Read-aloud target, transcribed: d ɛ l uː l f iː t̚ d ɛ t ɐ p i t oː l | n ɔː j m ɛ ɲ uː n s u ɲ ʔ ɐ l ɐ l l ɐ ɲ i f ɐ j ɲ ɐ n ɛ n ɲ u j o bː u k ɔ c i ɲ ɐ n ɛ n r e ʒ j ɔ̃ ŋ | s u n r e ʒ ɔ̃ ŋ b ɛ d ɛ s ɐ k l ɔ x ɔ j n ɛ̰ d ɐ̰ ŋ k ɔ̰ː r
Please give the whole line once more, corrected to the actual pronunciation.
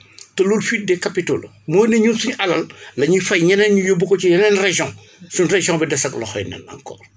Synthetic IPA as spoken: t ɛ l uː l f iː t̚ d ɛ k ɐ p i t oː l | m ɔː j n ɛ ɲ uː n s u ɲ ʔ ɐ l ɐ l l ɐ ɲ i f ɐ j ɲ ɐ n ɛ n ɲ u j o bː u k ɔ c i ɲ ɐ n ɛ n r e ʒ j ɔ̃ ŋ | s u n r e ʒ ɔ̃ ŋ b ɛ d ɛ s ɐ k l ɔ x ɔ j n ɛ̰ n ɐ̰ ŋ k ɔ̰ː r

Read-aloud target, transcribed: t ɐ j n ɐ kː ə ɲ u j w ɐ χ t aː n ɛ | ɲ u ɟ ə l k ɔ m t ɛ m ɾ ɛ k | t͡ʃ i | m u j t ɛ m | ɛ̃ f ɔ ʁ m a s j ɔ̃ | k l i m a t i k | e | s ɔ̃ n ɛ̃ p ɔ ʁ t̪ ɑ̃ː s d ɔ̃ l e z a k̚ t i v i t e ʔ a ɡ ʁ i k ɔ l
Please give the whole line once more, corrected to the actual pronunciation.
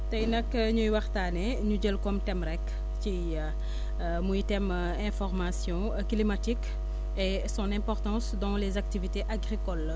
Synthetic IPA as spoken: t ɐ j n ɐ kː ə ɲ u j w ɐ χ t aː n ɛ | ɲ u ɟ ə l k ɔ m t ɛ m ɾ ɛ k | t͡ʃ i | m u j t ɛ m | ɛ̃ f ɔ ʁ m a s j ɔ̃ | k l i m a t i k | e | s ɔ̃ n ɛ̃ p ɔ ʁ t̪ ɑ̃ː s d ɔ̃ l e z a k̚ t i v i t e ʔ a ɡ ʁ i k ɔ l

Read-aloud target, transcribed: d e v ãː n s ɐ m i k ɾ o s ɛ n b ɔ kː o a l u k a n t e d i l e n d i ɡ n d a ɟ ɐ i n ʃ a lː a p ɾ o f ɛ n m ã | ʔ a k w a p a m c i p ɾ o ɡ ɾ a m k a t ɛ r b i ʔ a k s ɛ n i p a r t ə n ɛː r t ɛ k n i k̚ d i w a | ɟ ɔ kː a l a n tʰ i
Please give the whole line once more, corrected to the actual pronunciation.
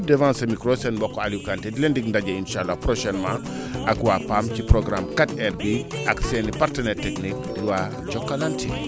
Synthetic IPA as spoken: d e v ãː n s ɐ m i k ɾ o s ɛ n b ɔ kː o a l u k a n t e d i l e n d i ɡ n d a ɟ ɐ i n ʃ a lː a p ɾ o ʃ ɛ n m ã | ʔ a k w a p a m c i p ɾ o ɡ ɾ a m k a t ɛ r b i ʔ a k s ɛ n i p a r t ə n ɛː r t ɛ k n i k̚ d i w a | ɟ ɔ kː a l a n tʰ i

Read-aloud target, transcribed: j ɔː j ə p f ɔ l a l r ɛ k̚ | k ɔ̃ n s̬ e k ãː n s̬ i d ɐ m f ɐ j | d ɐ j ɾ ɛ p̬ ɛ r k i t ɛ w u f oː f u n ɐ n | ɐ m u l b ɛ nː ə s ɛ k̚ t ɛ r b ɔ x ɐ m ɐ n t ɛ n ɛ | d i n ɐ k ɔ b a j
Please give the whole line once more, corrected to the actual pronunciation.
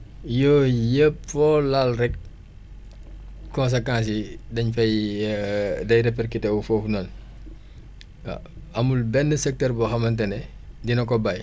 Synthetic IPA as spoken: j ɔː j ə p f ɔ l a l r ɛ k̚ | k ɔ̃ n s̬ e k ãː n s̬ i d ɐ ɲ f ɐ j | d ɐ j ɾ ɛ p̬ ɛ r k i t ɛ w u f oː f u n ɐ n | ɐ m u l b ɛ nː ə s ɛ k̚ t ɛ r b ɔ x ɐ m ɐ n t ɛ n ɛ | d i n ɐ k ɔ b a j

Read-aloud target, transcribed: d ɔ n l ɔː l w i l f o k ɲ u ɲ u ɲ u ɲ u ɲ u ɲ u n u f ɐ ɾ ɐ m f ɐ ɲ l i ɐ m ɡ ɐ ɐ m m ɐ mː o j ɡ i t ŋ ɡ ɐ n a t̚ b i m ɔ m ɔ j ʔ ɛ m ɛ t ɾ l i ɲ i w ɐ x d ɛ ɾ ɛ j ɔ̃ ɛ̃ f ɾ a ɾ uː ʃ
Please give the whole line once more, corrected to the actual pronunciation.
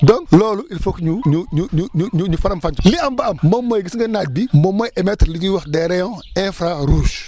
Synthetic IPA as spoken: d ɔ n l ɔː l u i l f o k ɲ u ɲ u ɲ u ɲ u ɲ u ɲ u ɲ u f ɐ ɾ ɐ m f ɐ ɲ l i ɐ m b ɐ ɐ m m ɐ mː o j ɡ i s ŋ ɡ ɐ n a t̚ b i m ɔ m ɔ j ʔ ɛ m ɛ t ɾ l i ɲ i w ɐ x d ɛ ɾ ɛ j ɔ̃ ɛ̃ f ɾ a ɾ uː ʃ

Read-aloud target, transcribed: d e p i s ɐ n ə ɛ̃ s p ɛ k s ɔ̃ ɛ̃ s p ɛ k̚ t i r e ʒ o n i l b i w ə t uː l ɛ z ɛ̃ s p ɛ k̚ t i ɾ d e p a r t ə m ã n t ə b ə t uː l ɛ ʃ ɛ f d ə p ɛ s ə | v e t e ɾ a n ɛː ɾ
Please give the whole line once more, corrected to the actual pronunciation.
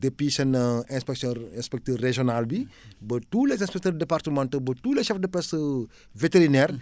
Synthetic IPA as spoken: d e p i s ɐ n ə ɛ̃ s p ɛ k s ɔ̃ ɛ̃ s p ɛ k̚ t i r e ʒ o n a l b i b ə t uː l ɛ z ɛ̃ s p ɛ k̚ t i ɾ d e p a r t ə m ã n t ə b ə t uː l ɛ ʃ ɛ f d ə p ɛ s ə | v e t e ɾ i n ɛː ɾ

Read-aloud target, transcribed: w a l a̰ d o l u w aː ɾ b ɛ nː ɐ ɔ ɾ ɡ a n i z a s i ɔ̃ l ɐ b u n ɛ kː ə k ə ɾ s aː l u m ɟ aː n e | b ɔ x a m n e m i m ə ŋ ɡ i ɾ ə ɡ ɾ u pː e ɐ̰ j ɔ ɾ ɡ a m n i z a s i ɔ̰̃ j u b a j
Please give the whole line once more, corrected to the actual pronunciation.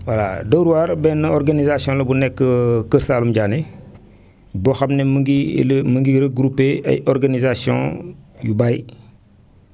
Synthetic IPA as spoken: w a l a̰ d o ɾ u w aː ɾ b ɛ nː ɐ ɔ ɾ ɡ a n i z a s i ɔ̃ l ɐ b u n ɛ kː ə k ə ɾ s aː l u m ɟ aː n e | b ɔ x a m n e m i m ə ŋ ɡ i ɾ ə ɡ ɾ u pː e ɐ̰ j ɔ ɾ ɡ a n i z a s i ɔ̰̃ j u b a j

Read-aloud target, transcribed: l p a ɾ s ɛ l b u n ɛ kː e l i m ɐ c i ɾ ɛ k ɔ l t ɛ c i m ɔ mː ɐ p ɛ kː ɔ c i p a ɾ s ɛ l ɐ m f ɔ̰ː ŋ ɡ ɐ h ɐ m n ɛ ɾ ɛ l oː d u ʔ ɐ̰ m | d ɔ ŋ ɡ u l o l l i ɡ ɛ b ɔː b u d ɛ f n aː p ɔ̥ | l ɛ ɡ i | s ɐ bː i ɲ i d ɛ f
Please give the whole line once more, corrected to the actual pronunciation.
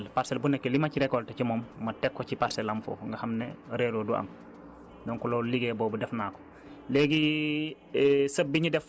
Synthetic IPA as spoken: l p a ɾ s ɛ l b u n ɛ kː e l i m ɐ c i ɾ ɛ k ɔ l t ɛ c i m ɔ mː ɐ t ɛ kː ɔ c i p a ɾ s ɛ l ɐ m f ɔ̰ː ŋ ɡ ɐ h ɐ m n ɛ ɾ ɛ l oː d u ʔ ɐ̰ m | d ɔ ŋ k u l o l l i ɡ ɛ b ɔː b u d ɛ f n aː k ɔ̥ | l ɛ ɡ i | s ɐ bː i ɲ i d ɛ f

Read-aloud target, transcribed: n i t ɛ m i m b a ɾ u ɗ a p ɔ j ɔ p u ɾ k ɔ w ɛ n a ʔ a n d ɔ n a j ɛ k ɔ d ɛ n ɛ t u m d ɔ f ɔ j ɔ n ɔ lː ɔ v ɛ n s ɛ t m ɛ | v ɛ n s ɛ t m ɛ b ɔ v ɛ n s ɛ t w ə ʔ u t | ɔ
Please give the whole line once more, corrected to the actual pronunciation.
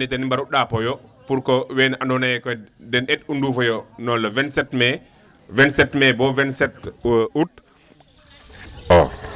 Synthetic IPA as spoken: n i t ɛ n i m b a ɾ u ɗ a p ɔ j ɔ p u ɾ k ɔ w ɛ n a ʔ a n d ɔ n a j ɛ k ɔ d ɛ n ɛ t u n d u f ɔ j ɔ n ɔ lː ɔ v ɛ n s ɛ t m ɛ | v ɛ n s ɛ t m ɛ b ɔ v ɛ n s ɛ t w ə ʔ u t | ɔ

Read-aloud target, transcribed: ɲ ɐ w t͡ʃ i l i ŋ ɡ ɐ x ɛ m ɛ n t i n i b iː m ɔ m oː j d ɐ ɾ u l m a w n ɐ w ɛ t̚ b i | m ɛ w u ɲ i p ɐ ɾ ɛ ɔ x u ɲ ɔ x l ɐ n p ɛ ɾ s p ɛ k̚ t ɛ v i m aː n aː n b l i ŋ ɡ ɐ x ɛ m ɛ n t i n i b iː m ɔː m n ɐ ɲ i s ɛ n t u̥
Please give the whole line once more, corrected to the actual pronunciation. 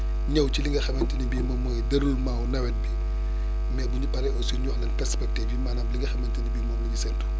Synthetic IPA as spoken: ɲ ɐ w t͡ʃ i l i ŋ ɡ ɐ x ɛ m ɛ n t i n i b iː m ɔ m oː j d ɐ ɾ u l m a w n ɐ w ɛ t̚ b i | m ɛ b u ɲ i p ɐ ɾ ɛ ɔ s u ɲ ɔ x l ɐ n p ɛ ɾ s p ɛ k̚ t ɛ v i m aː n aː m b l i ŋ ɡ ɐ x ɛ m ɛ n t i n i b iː m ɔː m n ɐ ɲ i s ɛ n t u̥

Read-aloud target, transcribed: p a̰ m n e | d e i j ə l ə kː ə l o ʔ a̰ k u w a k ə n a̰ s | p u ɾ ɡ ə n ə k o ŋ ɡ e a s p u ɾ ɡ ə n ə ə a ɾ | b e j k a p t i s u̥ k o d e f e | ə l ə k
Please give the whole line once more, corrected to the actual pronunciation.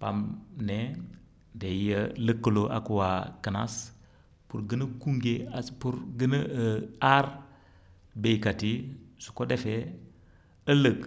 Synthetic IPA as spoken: p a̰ m n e | d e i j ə l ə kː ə l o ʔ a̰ k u w a k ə n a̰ s | p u ɾ ɡ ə n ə k u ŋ ɡ e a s p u ɾ ɡ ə n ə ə a ɾ | b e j k a t i s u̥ k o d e f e | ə l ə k

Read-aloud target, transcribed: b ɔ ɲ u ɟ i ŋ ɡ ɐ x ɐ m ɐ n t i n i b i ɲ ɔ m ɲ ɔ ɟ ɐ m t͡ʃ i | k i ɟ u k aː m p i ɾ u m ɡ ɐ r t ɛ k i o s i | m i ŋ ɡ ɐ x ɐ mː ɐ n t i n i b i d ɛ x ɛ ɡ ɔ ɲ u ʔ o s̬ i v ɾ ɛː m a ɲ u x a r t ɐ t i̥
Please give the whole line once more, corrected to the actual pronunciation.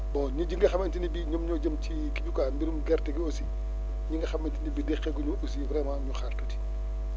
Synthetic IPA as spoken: b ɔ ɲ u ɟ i ŋ ɡ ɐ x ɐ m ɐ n t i n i b i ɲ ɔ m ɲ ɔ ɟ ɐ m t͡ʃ i | k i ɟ u k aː m b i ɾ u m ɡ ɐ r t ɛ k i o s i | ɲ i ŋ ɡ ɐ x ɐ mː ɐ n t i n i b i d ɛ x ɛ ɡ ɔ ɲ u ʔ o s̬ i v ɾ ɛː m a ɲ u x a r t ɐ t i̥

